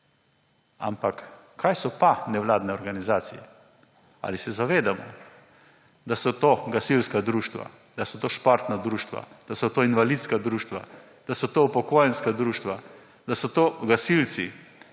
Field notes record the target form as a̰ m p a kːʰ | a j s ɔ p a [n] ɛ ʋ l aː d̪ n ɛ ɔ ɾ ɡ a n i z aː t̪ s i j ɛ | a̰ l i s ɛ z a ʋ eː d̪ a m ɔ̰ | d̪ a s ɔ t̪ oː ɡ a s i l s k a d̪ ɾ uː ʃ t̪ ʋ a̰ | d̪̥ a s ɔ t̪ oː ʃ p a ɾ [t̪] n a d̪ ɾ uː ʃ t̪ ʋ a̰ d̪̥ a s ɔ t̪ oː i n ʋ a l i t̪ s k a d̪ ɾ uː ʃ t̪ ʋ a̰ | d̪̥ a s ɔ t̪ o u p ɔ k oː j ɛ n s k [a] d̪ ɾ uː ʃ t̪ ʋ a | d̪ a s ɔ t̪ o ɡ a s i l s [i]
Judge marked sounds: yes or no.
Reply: yes, yes, yes, yes

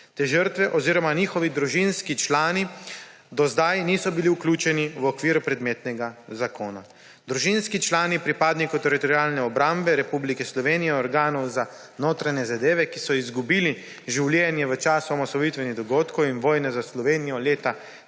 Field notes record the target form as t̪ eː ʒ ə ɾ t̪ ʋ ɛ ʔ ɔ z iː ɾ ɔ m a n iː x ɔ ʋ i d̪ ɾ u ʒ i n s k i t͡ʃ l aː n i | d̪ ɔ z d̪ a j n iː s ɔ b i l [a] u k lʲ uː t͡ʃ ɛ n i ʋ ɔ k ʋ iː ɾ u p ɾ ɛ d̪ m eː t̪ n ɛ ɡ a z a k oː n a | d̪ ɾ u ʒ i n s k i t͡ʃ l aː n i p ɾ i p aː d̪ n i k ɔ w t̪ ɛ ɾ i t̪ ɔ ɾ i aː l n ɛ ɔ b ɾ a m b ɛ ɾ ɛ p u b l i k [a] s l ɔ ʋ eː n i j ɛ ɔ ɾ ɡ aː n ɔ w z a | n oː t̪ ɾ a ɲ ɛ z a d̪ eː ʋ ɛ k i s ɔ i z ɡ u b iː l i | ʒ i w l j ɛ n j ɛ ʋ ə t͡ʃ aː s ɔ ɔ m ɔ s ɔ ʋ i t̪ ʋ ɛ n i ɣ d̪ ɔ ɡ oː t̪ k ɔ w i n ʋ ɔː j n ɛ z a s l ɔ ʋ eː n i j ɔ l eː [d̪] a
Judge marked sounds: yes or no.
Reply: no, no, no

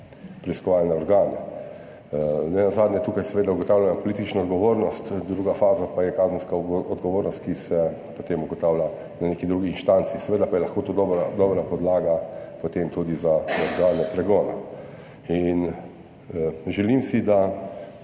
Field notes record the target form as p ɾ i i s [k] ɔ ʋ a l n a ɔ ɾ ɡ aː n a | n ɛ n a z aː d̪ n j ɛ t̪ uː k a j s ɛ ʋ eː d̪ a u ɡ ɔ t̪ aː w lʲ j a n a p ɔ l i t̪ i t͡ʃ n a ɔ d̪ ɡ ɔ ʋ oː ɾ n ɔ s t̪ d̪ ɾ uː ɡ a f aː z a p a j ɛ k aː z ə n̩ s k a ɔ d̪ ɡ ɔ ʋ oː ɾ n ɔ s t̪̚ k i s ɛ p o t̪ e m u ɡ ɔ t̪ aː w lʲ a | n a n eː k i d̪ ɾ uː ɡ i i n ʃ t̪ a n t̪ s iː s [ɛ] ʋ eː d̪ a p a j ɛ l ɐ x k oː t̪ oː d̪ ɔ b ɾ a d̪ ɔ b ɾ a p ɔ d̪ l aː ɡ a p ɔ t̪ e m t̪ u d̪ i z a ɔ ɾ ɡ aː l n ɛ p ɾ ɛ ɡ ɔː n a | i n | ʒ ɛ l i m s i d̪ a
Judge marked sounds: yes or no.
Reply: yes, yes

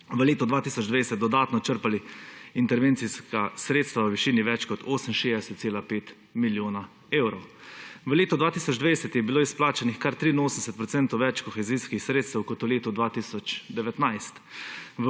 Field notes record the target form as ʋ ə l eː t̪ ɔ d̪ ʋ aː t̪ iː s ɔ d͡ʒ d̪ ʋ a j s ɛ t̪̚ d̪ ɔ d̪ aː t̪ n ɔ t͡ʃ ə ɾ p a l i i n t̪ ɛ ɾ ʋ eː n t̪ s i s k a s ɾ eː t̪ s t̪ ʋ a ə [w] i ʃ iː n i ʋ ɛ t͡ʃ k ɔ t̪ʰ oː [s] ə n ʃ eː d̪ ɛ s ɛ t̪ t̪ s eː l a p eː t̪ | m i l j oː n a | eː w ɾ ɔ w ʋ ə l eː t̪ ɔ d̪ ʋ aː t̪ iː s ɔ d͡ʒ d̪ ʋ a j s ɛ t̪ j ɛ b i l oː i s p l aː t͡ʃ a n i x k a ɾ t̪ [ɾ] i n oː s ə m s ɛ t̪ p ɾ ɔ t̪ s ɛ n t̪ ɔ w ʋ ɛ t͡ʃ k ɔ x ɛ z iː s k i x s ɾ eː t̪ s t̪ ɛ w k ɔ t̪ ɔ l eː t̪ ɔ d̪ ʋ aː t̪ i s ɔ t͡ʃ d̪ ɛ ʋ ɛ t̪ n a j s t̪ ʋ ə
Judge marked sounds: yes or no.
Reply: no, yes, yes

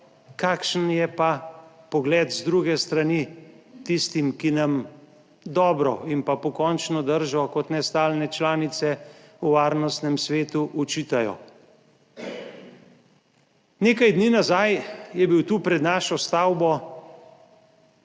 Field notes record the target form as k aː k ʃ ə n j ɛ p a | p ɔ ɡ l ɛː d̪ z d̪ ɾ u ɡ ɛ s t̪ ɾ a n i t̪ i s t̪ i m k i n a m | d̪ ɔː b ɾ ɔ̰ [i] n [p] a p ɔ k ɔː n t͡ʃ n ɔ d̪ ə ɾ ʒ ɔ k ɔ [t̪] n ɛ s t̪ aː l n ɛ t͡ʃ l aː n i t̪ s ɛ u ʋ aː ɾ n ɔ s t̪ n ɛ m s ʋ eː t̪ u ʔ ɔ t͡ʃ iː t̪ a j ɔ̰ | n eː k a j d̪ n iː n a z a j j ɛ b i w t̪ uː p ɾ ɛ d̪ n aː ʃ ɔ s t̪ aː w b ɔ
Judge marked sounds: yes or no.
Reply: yes, yes, yes

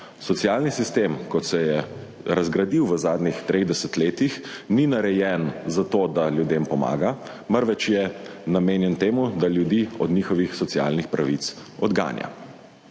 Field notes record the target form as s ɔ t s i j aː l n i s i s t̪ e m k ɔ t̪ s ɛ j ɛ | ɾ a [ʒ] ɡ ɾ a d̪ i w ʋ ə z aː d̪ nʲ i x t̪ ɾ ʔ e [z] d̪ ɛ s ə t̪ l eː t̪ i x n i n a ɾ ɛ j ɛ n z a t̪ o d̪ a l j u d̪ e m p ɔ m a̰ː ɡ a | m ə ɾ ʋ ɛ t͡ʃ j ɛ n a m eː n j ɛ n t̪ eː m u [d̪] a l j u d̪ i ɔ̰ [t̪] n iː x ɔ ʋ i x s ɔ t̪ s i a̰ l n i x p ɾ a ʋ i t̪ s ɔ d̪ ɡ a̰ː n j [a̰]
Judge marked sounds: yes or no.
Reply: no, no, yes, no, yes

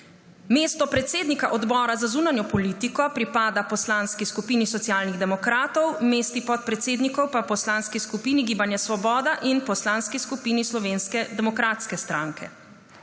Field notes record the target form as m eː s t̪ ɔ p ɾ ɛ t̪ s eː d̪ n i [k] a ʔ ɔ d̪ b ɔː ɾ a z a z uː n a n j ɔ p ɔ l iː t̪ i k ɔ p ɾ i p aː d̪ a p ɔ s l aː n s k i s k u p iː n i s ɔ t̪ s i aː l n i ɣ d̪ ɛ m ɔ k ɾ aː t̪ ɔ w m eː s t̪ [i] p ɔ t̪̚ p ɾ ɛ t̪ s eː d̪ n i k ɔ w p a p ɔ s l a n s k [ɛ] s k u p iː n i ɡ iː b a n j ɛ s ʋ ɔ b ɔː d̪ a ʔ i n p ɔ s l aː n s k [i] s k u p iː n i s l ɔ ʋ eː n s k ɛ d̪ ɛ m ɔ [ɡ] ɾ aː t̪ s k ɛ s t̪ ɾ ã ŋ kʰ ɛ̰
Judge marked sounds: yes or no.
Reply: yes, yes, no, yes, no

